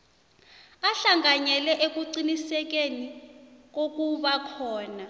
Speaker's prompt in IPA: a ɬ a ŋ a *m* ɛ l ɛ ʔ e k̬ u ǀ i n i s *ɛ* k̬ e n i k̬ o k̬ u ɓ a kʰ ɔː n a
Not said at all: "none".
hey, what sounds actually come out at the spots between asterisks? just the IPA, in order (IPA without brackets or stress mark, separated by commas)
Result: ɲ, ɛ